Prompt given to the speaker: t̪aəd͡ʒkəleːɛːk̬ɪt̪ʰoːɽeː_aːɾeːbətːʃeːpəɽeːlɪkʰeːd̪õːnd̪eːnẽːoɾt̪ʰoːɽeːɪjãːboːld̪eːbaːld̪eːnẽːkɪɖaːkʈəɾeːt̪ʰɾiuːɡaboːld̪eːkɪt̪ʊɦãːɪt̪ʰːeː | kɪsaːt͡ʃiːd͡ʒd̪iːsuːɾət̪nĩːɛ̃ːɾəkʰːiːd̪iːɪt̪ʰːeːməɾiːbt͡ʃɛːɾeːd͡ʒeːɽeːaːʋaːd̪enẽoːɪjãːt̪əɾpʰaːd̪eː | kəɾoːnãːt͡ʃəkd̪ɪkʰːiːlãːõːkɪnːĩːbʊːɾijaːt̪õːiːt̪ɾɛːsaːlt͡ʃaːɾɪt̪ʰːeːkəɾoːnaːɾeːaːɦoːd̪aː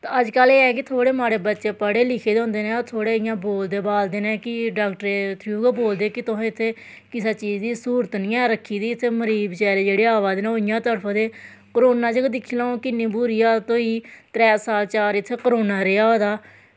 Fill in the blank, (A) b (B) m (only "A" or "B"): B